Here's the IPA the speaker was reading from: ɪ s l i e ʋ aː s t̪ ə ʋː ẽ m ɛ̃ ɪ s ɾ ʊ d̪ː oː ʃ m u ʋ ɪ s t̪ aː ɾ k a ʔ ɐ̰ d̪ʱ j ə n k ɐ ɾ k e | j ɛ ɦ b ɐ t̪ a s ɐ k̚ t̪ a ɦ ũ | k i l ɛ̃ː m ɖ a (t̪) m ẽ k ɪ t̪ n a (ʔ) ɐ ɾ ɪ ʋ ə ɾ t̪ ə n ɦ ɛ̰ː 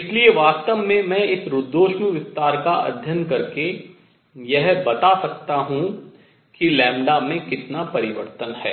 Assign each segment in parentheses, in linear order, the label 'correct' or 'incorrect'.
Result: incorrect, incorrect

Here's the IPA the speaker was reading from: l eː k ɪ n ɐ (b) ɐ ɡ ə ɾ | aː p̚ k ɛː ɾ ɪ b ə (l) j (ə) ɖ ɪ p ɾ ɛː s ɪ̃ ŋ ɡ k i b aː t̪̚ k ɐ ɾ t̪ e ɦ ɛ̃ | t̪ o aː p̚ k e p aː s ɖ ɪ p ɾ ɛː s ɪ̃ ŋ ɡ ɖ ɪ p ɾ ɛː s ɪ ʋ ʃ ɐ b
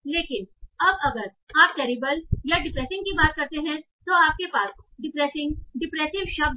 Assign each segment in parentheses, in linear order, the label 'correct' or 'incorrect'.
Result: correct, correct, incorrect

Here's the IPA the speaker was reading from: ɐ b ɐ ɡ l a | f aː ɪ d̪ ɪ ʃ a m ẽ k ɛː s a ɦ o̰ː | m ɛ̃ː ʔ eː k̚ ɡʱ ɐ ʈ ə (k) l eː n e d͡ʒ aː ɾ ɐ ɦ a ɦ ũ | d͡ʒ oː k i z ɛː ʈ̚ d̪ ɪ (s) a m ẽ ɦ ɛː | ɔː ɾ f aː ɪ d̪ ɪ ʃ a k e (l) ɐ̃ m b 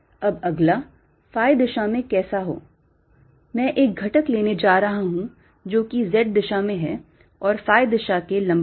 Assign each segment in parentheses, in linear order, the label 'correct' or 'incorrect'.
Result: correct, incorrect, correct

